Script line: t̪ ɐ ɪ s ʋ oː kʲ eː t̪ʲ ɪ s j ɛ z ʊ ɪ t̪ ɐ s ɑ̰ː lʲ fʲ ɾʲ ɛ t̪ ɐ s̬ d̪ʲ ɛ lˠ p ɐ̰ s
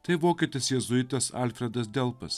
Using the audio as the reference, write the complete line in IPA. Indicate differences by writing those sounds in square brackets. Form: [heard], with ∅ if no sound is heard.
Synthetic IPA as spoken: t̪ ɐ ɪ [∅] ʋ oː kʲ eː t̪ʲ ɪ s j ɛ z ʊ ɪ t̪ ɐ s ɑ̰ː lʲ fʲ ɾʲ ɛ [d̪] ɐ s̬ d̪ʲ ɛ lˠ p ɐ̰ s